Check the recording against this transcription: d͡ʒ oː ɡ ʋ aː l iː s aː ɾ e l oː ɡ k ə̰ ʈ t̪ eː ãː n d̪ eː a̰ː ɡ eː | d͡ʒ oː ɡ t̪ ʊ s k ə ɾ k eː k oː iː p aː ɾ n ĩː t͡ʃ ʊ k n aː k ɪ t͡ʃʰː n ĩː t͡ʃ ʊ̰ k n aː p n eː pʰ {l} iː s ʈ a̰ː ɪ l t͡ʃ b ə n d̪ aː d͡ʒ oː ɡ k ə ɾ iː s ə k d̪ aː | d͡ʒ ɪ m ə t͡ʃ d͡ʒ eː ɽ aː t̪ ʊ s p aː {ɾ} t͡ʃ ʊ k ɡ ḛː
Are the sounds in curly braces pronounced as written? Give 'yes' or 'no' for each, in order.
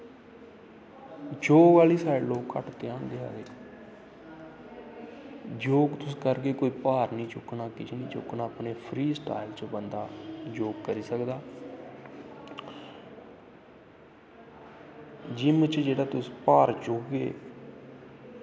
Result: no, yes

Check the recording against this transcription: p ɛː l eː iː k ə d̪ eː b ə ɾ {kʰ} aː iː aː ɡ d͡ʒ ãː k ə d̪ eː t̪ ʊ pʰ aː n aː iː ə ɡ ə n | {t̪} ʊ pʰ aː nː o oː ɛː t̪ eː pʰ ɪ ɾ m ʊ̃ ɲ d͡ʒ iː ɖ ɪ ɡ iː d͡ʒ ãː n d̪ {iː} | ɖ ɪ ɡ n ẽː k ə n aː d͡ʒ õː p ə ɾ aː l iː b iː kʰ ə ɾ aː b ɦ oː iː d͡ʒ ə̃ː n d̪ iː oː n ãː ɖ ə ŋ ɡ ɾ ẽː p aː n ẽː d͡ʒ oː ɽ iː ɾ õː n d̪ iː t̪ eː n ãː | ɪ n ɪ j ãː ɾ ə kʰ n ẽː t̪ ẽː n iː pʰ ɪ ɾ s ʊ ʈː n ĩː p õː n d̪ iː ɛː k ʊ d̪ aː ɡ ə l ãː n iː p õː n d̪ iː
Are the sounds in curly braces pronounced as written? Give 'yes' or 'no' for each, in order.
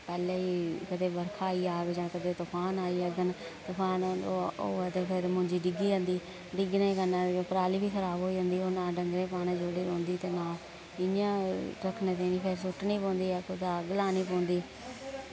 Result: yes, yes, yes

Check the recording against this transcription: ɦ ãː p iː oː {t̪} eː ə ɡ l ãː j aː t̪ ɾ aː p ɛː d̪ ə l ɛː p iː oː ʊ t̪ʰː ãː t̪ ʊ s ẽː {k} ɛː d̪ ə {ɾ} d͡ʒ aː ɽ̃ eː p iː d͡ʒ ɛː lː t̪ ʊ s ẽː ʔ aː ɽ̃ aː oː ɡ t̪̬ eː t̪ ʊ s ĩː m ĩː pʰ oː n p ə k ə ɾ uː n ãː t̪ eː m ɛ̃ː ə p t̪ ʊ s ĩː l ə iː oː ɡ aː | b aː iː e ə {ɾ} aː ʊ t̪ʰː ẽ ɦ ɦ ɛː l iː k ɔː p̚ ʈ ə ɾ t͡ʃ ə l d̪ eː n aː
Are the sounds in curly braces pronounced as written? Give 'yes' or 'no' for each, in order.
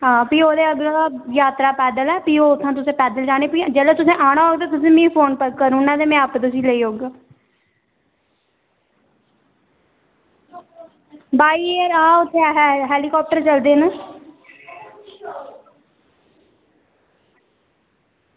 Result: no, no, no, yes

